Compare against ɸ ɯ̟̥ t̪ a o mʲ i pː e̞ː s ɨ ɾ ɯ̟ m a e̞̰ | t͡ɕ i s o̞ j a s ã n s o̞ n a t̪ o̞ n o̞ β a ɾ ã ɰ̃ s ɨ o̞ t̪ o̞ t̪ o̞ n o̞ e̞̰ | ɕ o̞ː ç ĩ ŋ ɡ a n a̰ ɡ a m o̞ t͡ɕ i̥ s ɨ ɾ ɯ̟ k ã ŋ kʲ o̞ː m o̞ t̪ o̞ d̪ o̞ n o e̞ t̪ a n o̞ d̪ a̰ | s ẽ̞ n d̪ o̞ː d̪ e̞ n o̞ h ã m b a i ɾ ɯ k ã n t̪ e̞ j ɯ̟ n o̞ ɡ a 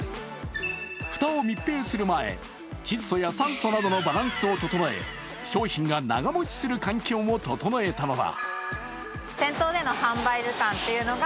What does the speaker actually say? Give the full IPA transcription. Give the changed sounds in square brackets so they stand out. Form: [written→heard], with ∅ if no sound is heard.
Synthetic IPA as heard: ɸ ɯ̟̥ t̪ a o mʲ i pː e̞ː s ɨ ɾ ɯ̟ m a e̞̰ | t͡ɕ i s o̞ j a s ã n s o̞ n a [t̪→d̪] o̞ n o̞ [β→b] a ɾ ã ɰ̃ s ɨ o̞ t̪ o̞ t̪ o̞ n o̞ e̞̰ | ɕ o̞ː ç ĩ ŋ ɡ a n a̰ ɡ a m o̞ t͡ɕ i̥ s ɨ ɾ ɯ̟ k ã ŋ kʲ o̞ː m o̞ t̪ o̞ [d̪→t̪] o̞ n o e̞ t̪ a n o̞ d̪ a̰ | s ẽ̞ n [d̪→t̪] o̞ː d̪ e̞ n o̞ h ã m b a i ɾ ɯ k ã n t̪ e̞ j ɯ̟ n o̞ ɡ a

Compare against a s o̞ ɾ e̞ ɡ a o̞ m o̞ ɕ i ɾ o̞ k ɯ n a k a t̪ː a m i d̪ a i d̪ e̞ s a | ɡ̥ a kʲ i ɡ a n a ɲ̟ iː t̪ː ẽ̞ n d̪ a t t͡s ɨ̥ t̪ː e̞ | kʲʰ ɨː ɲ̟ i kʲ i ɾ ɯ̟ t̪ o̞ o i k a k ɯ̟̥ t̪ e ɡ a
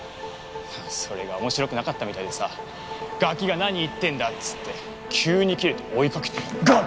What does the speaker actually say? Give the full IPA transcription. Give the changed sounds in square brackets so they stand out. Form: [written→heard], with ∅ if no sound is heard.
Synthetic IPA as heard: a s o̞ ɾ e̞ ɡ a o̞ m o̞ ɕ i ɾ o̞ k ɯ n a k a t̪ː a m i [d̪→t̪] a i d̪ e̞ s a | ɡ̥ a kʲ i ɡ a n a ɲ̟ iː t̪ː ẽ̞ n d̪ a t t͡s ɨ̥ t̪ː e̞ | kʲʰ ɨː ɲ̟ i kʲ i ɾ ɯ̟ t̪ o̞ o i k a k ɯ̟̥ t̪ e ɡ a

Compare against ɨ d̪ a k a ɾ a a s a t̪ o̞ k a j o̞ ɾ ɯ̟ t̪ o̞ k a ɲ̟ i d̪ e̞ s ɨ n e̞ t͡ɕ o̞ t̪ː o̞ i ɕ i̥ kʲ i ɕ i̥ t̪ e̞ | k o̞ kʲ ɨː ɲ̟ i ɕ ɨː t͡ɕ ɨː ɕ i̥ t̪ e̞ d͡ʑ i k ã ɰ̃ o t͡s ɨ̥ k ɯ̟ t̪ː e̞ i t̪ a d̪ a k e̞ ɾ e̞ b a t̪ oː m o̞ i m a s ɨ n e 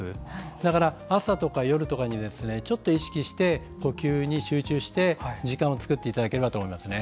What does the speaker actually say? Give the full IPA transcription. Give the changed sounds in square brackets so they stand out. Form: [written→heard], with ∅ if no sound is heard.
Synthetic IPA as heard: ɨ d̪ a k a ɾ a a s a t̪ o̞ k a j o̞ ɾ ɯ̟ t̪ o̞ k a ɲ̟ i d̪ e̞ s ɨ n e̞ t͡ɕ o̞ t̪ː o̞ i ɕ i̥ kʲ i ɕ i̥ t̪ e̞ | k o̞ kʲ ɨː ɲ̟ i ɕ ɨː t͡ɕ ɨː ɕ i̥ t̪ e̞ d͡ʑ i k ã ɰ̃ o t͡s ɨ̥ k ɯ̟ t̪ː e̞ i t̪ a d̪ a k e̞ ɾ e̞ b a t̪ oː m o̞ i m a s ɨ n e

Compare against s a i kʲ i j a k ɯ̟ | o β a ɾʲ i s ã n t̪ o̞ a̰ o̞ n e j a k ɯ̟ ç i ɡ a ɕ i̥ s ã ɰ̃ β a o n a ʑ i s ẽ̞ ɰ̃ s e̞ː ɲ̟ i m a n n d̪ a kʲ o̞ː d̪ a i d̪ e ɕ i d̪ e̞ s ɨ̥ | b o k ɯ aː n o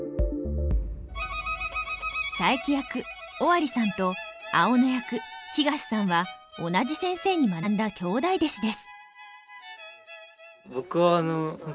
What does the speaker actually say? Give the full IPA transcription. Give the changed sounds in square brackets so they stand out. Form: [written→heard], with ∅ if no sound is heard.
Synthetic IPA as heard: s a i kʲ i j a k ɯ̟ | o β a ɾʲ i s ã n t̪ o̞ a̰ o̞ n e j a k ɯ̟ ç i ɡ a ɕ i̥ s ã ɰ̃ β a o n a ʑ i s ẽ̞ ɰ̃ s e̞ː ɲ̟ i m a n n d̪ a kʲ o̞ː d̪ a i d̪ e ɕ i d̪ e̞ s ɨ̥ | b o k ɯ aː n o

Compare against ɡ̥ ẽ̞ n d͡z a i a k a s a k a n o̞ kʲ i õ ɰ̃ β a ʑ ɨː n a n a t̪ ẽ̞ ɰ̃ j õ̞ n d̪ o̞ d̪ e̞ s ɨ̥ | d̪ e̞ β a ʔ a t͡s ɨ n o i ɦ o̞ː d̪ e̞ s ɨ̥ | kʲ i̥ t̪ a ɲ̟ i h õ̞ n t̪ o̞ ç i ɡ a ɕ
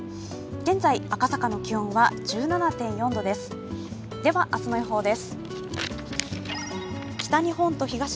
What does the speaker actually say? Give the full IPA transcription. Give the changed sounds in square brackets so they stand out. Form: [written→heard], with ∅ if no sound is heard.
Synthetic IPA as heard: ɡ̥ ẽ̞ n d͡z a i a k a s a k a n o̞ kʲ i õ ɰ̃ β a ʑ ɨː n a n a t̪ ẽ̞ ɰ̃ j õ̞ n d̪ o̞ d̪ e̞ s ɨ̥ | d̪ e̞ β a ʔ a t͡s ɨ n o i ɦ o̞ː d̪ e̞ s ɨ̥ | kʲ i̥ t̪ a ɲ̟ i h õ̞ n t̪ o̞ ç i ɡ a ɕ

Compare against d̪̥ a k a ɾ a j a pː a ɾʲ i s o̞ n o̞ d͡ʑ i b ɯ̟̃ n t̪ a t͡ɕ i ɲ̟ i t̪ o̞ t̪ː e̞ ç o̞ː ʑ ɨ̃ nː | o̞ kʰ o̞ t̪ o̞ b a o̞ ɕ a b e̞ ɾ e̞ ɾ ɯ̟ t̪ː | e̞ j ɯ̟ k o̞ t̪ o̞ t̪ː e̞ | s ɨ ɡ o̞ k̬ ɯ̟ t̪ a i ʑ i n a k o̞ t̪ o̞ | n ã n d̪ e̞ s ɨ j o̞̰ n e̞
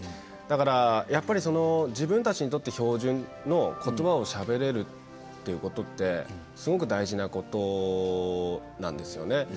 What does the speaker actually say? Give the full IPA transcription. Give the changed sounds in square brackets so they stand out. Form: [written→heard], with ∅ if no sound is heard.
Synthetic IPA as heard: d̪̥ a k a ɾ a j a pː a ɾʲ i s o̞ n o̞ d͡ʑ i b ɯ̟̃ n t̪ a t͡ɕ i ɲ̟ i t̪ o̞ t̪ː e̞ ç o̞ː ʑ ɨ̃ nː | o̞ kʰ o̞ t̪ o̞ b a o̞ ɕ a b e̞ ɾ e̞ ɾ ɯ̟ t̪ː | e̞ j ɯ̟ k o̞ t̪ o̞ t̪ː e̞ | s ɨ ɡ o̞ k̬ ɯ̟ [t̪→d̪] a i ʑ i n a k o̞ t̪ o̞ | n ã n d̪ e̞ s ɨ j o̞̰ n e̞

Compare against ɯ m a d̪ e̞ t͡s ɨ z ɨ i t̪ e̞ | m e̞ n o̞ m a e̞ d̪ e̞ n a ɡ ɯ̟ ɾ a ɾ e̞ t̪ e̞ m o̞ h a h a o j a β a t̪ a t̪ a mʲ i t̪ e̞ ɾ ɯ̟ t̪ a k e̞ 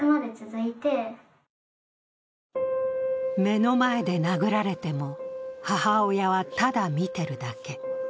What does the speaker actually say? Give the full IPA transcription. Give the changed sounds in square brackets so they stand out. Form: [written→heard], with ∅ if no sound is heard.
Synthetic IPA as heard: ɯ m a d̪ e̞ t͡s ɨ z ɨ i t̪ e̞ | m e̞ n o̞ m a e̞ d̪ e̞ n a ɡ ɯ̟ ɾ a ɾ e̞ t̪ e̞ m o̞ h a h a o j a β a t̪ a [t̪→d̪] a mʲ i t̪ e̞ ɾ ɯ̟ [t̪→d̪] a k e̞

